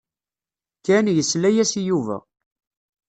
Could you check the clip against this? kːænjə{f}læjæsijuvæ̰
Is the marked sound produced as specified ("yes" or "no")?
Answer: no